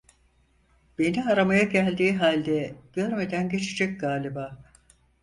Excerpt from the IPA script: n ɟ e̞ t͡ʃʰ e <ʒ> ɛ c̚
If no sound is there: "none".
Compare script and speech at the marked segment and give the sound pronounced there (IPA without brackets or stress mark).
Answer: d͡ʒ